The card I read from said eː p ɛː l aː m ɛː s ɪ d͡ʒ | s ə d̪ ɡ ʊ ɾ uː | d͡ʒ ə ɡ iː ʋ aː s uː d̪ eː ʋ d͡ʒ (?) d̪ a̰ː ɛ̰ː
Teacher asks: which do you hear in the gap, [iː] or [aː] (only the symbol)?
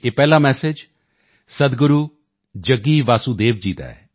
iː